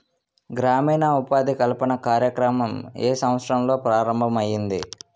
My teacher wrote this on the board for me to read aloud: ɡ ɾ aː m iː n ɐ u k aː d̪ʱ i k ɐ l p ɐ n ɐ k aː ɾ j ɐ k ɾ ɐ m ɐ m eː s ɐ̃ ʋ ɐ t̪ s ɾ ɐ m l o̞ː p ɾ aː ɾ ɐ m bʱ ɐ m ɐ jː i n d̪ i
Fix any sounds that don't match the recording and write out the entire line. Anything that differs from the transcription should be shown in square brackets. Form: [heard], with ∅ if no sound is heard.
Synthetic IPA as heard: ɡ ɾ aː m iː n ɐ u [p] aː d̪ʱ i k ɐ l p ɐ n ɐ k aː ɾ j ɐ k ɾ ɐ m ɐ m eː s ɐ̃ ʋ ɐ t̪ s ɾ ɐ m l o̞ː p ɾ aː ɾ ɐ m bʱ ɐ m ɐ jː i n d̪ i